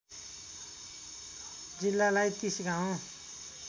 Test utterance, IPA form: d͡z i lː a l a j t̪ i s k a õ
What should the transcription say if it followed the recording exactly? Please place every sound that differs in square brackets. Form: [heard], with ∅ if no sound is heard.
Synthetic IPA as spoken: d͡z i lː a l a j t̪ i s [ɡ] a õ

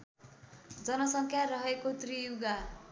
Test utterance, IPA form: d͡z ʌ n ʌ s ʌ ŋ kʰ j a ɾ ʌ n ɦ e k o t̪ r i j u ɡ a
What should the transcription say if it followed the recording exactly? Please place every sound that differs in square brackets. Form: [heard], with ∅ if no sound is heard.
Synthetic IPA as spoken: d͡z ʌ n ʌ s ʌ ŋ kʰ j a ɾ ʌ [∅] ɦ e k o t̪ r i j u ɡ a

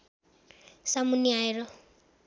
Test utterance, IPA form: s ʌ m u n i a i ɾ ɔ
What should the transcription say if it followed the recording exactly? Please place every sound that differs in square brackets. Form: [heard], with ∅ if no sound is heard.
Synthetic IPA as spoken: s [a] m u n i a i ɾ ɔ

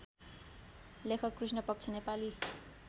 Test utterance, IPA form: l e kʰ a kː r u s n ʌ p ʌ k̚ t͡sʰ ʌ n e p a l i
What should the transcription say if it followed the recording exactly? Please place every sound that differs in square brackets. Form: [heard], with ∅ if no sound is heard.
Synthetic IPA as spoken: l e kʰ [ʌ] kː r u s n ʌ p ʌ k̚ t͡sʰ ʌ n e p a l i

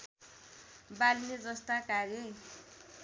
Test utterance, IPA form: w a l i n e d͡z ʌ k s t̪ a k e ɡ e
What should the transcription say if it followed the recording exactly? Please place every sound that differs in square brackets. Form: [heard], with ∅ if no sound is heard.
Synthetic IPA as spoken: [b] a l i n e d͡z ʌ [∅] s t̪ a k [a] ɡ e

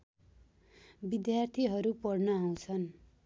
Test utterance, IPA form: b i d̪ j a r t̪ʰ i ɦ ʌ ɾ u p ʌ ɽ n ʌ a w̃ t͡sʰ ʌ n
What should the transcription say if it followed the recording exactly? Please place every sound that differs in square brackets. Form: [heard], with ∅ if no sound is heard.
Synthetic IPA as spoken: b i d̪ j a r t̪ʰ i ɦ ʌ ɾ u p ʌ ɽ n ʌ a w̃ t͡sʰ ʌ n

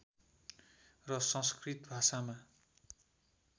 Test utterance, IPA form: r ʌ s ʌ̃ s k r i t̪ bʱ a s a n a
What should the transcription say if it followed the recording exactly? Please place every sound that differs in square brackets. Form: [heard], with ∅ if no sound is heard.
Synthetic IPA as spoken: r ʌ s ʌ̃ s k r i t̪ bʱ a s a [m] a

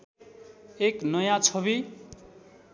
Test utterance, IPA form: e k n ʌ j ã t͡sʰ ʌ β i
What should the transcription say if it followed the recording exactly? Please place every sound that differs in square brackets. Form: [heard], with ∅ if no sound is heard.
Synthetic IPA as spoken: e k n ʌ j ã t͡sʰ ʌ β i

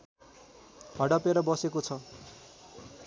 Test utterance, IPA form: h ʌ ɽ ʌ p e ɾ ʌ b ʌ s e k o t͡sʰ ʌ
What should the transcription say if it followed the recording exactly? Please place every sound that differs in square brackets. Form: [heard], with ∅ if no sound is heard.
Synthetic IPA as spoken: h ʌ ɽ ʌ p e ɾ ʌ b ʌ s e k o t͡sʰ ʌ

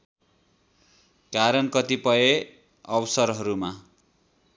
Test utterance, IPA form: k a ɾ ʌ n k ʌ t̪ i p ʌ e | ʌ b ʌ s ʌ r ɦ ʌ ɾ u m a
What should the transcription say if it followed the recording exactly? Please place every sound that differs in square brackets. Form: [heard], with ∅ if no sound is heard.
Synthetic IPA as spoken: k a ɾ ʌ n k ʌ t̪ i p ʌ e | ʌ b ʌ s ʌ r ɦ ʌ ɾ u m a

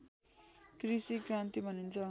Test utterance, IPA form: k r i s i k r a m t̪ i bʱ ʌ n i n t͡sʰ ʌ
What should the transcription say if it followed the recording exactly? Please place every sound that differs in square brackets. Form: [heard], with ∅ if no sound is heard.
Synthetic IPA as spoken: k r i s i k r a [n] t̪ i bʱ ʌ n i n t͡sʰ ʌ

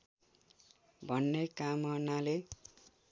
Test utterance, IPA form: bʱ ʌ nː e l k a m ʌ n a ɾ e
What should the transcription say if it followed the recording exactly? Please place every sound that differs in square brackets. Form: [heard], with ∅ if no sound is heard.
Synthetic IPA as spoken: bʱ ʌ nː e [∅] k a m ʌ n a [l] e

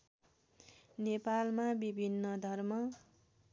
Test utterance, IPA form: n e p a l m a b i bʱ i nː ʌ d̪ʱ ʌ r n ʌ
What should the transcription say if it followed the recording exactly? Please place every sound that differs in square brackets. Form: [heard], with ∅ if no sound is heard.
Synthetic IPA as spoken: n e p a l m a b i bʱ i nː ʌ d̪ʱ ʌ r [m] ʌ

